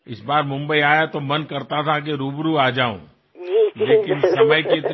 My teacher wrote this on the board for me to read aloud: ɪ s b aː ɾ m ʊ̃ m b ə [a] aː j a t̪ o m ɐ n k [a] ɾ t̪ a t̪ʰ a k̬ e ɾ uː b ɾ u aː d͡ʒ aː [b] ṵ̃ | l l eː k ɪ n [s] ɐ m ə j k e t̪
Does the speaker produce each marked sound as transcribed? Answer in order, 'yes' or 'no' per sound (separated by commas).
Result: no, no, no, yes